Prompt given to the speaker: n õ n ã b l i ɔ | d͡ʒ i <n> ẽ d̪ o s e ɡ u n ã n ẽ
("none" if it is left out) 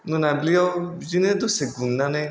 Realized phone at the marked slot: n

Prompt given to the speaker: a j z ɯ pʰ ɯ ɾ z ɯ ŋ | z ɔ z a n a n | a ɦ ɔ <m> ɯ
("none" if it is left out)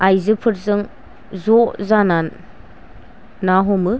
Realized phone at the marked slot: m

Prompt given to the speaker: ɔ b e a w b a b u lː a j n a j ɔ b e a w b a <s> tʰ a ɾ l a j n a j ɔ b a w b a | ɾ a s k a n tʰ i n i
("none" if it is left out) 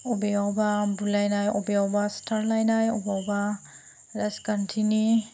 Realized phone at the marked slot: s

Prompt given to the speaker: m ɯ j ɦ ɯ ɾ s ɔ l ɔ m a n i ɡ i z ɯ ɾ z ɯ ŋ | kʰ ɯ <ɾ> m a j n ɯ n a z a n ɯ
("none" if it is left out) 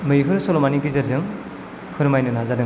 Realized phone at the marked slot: ɾ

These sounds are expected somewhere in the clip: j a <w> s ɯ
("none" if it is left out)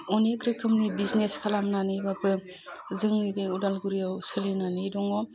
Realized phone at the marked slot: w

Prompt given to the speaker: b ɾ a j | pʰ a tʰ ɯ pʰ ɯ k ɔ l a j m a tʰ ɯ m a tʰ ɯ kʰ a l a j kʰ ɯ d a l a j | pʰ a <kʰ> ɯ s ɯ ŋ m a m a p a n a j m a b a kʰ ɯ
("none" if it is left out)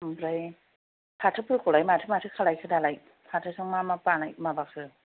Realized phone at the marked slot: tʰ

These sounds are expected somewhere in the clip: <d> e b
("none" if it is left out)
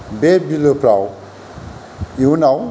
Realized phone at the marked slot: b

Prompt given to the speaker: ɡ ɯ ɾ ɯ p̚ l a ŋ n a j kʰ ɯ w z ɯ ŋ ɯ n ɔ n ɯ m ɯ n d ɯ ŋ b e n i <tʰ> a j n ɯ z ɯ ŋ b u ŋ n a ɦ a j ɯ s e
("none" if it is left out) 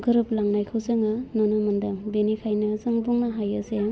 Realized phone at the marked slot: kʰ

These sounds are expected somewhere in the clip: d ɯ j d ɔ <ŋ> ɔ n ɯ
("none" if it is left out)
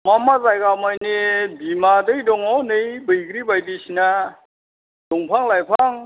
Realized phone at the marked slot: ŋ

